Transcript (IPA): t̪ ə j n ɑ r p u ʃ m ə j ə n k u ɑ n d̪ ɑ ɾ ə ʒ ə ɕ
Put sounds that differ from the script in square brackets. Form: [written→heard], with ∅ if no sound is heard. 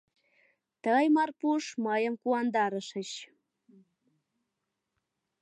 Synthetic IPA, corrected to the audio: t̪ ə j [n→m] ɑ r p u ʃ m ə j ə [n→m] k u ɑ n d̪ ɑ ɾ ə [ʒ→ʃ] ə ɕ